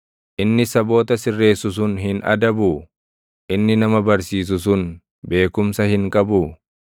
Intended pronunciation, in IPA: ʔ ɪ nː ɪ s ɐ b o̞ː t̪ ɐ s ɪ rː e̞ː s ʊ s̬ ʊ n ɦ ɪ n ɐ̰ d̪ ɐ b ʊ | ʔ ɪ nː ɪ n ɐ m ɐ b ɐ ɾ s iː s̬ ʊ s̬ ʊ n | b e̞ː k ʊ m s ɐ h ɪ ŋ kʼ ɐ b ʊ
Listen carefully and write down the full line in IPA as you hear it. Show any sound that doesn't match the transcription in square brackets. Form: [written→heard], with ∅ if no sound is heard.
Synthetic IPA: ʔ ɪ nː ɪ s ɐ b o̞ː t̪ ɐ s ɪ rː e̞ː s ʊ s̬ ʊ n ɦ ɪ n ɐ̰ d̪ ɐ b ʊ | ʔ ɪ nː ɪ n ɐ m ɐ b ɐ ɾ s iː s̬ ʊ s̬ ʊ n | b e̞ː k ʊ m s ɐ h ɪ ŋ kʼ ɐ b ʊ

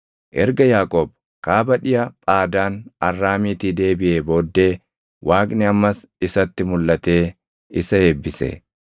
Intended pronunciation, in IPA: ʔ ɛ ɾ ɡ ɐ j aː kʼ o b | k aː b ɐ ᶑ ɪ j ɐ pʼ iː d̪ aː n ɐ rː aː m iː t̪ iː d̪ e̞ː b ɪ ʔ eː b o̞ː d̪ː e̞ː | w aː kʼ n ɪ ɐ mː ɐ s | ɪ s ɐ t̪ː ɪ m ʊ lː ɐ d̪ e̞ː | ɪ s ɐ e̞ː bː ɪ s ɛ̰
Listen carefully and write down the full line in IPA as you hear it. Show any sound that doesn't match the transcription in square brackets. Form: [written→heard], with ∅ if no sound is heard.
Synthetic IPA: ʔ ɛ ɾ ɡ ɐ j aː kʼ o b | k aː b ɐ ᶑ ɪ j ɐ pʼ [iː→aː] d̪ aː n ɐ rː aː m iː t̪ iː d̪ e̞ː b ɪ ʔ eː b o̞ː d̪ː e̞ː | w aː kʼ n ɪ ɐ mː ɐ s | ɪ s ɐ t̪ː ɪ m ʊ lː ɐ [d̪→t̪] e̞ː | ɪ s ɐ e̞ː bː ɪ s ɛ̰

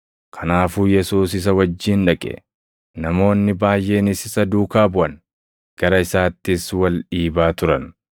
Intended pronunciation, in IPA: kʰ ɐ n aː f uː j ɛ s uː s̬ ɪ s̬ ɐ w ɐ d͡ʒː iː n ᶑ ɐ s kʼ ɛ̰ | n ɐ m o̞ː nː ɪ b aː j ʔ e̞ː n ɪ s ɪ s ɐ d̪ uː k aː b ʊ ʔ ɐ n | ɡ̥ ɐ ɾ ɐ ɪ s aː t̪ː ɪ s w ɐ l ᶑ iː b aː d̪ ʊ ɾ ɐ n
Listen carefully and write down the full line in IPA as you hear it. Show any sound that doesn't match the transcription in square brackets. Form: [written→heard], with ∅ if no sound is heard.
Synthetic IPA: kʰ ɐ n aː f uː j ɛ s uː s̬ ɪ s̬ ɐ w ɐ d͡ʒː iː n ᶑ ɐ [s→∅] kʼ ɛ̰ | n ɐ m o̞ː nː ɪ b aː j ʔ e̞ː n ɪ s ɪ s ɐ d̪ uː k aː b ʊ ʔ ɐ n | ɡ̥ ɐ ɾ ɐ ɪ s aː t̪ː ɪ s w ɐ l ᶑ iː b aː [d̪→t̪] ʊ ɾ ɐ n

